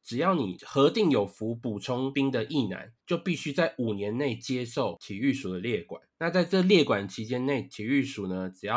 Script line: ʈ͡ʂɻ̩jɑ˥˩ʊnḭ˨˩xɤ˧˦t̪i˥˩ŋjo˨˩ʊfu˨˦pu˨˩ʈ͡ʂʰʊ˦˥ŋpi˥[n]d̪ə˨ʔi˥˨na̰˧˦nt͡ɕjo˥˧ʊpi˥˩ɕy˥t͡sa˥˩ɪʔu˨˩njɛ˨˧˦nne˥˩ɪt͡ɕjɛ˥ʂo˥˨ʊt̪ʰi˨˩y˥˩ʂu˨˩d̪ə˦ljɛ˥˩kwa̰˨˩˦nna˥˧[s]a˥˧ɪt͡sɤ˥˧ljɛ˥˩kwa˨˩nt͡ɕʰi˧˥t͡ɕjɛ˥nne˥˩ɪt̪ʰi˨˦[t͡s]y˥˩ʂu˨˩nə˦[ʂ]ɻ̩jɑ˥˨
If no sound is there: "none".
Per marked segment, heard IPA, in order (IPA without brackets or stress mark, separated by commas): ŋ, t͡s, none, ʈ͡ʂ